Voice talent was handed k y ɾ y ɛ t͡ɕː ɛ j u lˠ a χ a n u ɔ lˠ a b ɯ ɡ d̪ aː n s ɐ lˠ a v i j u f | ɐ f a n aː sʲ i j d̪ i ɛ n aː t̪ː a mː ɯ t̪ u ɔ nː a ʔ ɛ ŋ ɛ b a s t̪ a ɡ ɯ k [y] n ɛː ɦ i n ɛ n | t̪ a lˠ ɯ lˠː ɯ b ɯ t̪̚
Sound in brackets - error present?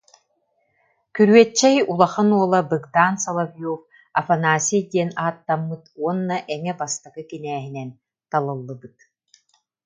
yes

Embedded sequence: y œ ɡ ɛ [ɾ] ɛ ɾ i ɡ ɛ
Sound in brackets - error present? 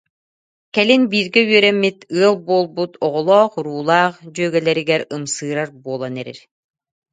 yes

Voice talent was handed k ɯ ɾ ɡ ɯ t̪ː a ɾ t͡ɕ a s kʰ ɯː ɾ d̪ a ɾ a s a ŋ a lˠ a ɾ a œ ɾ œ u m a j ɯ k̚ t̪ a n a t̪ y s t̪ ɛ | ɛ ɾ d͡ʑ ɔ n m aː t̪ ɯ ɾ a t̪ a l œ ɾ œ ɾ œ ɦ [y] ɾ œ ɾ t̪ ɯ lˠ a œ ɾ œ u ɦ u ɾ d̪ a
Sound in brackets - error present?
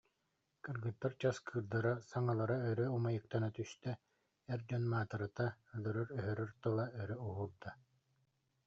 yes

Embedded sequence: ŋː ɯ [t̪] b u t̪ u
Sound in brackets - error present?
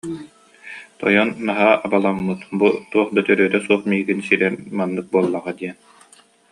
no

